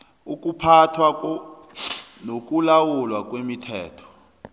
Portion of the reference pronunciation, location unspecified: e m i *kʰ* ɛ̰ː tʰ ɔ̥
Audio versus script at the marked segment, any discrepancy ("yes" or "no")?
yes